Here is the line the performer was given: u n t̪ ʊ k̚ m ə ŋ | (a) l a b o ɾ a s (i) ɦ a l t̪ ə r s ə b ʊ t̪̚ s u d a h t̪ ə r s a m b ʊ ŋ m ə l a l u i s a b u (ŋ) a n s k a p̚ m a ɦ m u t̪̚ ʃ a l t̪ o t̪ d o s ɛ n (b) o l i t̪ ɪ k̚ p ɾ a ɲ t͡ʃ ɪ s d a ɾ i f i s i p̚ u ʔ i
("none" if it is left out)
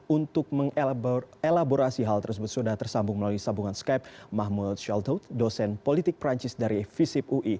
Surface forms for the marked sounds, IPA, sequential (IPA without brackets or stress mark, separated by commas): e, i, ŋ, p